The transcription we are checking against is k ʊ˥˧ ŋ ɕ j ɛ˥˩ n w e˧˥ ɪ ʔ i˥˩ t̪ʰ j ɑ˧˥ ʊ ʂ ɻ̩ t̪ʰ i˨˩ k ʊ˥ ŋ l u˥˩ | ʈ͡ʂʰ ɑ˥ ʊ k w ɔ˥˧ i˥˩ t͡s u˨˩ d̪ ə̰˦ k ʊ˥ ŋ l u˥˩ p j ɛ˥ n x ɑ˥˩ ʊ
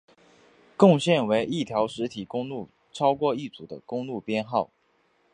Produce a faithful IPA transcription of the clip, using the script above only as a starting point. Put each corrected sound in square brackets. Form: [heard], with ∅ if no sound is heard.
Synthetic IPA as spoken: k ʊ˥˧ ŋ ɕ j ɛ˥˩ n w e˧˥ ɪ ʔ i˥˩ t̪ʰ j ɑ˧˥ ʊ ʂ ɻ̩ t̪ʰ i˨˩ k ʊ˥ ŋ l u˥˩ | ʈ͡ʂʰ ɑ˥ ʊ k w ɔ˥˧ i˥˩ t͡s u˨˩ d̪ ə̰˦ k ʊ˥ ŋ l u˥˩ p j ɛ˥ n x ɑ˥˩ ʊ